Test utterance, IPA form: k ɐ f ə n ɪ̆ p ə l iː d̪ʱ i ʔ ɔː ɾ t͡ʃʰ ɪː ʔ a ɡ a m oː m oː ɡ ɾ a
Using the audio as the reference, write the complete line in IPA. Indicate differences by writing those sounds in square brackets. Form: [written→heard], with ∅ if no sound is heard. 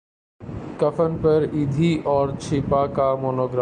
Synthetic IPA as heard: k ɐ f ə n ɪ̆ p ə [l→ɾ] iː d̪ʱ i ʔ ɔː ɾ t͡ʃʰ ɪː [ʔ→p] a [ɡ→k] a m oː [m→n] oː ɡ ɾ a